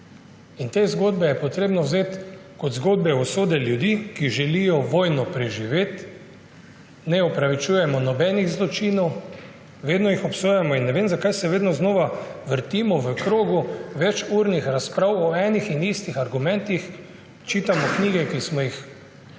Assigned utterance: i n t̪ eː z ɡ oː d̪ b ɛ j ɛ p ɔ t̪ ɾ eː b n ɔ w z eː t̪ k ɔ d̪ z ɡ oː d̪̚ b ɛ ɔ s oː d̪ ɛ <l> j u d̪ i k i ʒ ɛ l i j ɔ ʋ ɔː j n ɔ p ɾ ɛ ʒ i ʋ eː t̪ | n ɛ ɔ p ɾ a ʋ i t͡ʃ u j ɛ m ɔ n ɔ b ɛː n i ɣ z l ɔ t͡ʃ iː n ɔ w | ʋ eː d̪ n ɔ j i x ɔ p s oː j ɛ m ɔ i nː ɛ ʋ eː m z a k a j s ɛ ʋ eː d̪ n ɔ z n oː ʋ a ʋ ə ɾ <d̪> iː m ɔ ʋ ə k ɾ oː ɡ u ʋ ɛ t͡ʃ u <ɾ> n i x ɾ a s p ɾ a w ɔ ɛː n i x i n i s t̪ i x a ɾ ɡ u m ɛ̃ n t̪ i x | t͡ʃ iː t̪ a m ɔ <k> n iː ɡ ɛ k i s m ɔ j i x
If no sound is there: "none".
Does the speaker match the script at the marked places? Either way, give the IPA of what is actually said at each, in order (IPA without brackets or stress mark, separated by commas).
l, t̪, ɾ, k